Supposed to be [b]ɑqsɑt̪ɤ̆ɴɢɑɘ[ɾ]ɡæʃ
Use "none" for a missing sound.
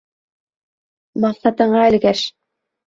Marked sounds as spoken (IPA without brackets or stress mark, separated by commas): m, l